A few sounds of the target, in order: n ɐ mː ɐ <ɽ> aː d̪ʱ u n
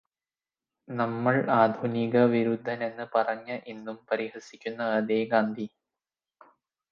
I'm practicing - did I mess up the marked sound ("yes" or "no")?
yes